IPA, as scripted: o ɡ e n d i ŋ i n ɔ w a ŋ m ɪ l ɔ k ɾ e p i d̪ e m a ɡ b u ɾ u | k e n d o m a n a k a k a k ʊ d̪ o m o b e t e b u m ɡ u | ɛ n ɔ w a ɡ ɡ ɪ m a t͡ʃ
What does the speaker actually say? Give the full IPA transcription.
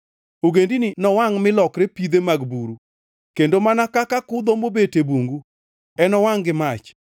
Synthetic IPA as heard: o ɡ e n d i n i n ɔ w a ŋ m ɪ l ɔ k ɾ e p i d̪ e m a ɡ b u ɾ u | k e n d o m a n a k a k a k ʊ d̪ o m o b e t e b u ŋ ɡ u | ɛ n ɔ w a ŋ ɡ ɪ m a t͡ʃ